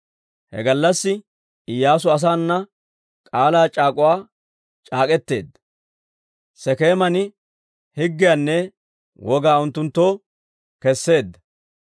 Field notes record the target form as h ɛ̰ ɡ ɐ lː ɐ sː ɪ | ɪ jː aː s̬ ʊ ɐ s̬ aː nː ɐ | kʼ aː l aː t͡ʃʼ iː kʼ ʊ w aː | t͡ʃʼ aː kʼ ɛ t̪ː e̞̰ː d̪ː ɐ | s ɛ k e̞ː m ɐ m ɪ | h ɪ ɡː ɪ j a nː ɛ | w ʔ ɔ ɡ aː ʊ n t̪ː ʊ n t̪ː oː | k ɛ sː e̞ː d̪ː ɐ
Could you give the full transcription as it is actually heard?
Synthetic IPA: h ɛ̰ ɡ ɐ lː ɐ sː ɪ | ɪ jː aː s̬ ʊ ɐ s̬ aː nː ɐ | kʼ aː l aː t͡ʃʼ aː kʼ ʊ w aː | t͡ʃʼ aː kʼ ɛ t̪ː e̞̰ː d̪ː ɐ | s ɛ k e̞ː m ɐ n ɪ | h ɪ ɡː ɪ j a nː ɛ | w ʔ ɔ ɡ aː ʊ n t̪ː ʊ n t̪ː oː | k ɛ sː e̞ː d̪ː ɐ